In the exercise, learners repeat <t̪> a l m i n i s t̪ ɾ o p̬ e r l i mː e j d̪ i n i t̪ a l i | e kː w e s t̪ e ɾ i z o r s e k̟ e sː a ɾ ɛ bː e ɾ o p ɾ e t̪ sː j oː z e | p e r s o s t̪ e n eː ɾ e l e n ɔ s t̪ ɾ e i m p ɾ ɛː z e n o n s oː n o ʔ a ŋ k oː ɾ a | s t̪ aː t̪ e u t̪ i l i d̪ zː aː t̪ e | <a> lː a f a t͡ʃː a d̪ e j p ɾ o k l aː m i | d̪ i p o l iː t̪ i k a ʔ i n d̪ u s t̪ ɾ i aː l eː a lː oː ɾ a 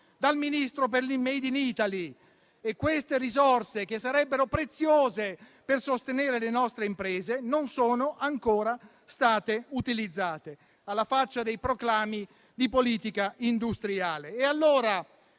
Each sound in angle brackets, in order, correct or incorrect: incorrect: d̪, correct

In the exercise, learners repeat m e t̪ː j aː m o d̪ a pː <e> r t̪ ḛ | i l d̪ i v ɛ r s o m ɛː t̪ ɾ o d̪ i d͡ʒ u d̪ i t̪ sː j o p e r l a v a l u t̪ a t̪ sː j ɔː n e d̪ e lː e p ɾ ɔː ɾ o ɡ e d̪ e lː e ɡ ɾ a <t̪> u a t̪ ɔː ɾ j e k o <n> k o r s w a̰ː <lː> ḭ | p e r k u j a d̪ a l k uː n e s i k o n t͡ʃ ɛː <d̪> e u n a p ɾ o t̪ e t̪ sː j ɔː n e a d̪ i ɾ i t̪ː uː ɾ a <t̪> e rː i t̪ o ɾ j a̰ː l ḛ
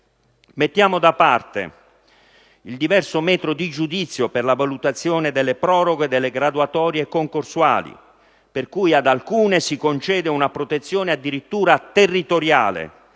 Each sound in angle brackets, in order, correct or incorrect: incorrect: a, incorrect: d̪, incorrect: ŋ, incorrect: l, correct, correct

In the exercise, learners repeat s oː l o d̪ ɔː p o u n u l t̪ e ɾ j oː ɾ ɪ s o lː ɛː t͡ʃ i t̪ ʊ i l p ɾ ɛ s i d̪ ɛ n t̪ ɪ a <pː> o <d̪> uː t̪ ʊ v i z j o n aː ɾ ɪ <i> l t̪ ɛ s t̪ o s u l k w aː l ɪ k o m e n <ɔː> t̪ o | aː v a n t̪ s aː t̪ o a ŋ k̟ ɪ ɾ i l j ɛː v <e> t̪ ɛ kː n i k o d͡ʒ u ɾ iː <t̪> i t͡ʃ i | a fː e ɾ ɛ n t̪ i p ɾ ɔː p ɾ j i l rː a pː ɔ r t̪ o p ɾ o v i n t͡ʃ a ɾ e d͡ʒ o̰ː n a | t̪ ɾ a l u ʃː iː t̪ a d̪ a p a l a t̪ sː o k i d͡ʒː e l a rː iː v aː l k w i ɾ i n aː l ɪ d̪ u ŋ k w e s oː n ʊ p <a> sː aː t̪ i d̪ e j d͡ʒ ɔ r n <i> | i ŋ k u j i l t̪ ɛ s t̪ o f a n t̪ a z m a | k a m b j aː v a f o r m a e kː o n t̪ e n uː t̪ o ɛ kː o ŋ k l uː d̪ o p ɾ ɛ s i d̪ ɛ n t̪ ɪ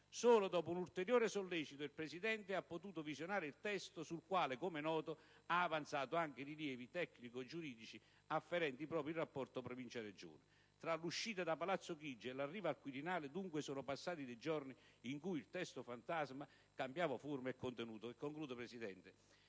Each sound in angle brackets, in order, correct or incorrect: correct, incorrect: t̪, correct, correct, incorrect: i, incorrect: d̪, correct, correct

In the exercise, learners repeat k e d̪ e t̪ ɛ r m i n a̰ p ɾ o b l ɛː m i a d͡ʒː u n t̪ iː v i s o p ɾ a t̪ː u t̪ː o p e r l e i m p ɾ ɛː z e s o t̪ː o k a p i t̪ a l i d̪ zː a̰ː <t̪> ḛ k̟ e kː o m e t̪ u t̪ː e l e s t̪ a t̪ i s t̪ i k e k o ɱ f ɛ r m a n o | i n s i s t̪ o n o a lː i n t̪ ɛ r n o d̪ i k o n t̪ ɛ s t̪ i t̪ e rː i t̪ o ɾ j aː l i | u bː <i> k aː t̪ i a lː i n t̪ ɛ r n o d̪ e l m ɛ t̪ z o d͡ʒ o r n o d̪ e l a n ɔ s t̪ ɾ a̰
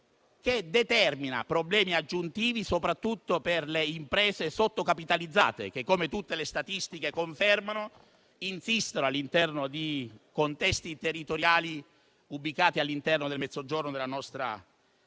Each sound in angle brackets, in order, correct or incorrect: correct, correct

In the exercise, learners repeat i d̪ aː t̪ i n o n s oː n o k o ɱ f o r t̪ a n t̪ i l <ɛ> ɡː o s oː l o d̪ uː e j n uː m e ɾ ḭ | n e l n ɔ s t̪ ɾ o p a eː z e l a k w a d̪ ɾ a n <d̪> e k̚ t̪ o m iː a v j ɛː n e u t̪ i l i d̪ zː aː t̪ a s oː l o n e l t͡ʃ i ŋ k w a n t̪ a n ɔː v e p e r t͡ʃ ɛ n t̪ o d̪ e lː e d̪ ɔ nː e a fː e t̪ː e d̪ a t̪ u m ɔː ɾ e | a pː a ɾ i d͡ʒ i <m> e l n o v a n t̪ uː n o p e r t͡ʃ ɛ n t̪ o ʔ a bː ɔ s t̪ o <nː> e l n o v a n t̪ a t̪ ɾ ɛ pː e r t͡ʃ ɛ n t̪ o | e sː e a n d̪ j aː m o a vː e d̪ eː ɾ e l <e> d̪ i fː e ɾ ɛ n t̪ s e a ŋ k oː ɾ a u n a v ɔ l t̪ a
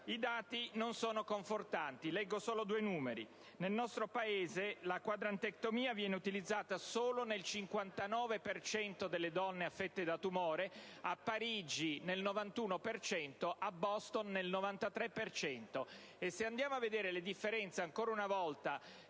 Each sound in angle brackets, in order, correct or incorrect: correct, incorrect: t̪, incorrect: n, correct, correct

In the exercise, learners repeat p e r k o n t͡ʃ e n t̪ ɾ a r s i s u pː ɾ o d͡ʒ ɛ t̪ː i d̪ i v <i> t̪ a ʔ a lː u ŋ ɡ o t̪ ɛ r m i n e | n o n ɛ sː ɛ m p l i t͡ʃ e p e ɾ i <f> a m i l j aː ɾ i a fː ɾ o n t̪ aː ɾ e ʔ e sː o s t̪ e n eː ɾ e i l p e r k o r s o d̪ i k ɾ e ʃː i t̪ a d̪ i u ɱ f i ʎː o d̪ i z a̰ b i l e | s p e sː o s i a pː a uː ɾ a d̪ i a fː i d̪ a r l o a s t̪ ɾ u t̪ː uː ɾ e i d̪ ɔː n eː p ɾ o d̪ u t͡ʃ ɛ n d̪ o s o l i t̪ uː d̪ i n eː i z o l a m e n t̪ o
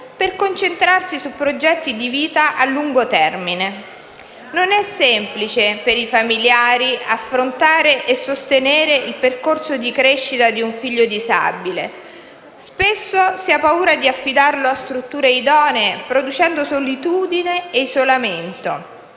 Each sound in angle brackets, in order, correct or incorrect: incorrect: iː, correct

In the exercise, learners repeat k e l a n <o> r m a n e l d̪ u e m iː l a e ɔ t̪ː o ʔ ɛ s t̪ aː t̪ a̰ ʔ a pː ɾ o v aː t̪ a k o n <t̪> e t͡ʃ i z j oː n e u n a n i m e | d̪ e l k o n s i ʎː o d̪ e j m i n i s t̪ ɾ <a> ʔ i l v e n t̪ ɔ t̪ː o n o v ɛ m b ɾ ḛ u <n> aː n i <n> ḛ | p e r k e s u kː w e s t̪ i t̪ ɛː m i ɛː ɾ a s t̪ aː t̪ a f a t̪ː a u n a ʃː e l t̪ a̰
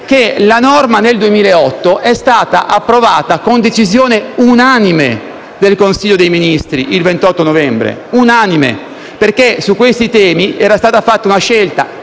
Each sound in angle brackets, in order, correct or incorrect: incorrect: ɔ, incorrect: d̪, incorrect: i, correct, incorrect: m

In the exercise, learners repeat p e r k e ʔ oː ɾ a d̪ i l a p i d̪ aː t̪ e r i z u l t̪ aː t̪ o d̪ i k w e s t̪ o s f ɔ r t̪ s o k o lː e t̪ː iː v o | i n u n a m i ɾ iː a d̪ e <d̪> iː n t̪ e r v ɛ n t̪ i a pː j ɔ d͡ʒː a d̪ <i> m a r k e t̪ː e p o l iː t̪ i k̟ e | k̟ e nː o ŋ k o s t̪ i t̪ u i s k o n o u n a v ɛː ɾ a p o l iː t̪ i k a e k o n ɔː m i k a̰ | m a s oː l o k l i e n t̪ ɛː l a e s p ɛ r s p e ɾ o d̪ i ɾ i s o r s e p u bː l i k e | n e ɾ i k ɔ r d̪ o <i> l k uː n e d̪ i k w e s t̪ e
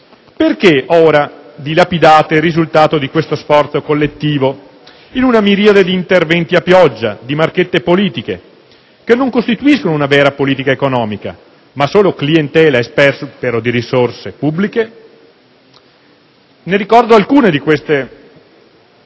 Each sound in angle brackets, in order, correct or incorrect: correct, correct, incorrect: a

